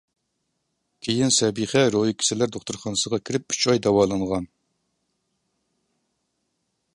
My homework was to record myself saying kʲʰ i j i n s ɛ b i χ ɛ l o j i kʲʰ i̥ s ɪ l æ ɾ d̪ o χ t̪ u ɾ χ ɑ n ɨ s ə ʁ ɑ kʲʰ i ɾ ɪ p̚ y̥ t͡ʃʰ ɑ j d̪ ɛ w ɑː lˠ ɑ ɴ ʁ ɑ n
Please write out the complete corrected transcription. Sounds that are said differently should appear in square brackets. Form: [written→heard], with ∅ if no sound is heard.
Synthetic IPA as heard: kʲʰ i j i n s ɛ b i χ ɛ [l→ɾ] o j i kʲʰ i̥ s ɪ l æ ɾ d̪ o χ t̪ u ɾ χ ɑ n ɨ s ə ʁ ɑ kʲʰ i ɾ ɪ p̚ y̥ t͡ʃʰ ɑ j d̪ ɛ w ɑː lˠ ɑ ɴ ʁ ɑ n